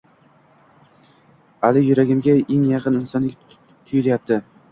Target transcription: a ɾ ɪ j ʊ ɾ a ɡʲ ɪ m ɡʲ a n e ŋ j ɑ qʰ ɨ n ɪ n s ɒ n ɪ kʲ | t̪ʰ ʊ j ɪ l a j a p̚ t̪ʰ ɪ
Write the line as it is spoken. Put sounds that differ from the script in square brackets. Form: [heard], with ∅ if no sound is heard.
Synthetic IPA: a [l] ɪ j ʊ ɾ a ɡʲ ɪ m ɡʲ a [∅] e ŋ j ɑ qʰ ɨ n ɪ n s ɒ n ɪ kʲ | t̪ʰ ʊ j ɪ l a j a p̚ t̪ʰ ɪ